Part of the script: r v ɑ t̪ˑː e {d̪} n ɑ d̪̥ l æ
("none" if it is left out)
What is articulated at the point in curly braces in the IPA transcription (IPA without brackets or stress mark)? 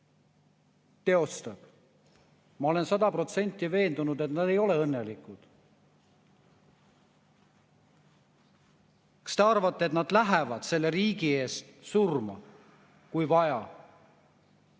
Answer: t̪